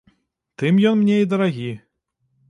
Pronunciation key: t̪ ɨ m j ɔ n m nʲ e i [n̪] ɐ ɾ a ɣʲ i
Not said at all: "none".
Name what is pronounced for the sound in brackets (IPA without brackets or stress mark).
d̪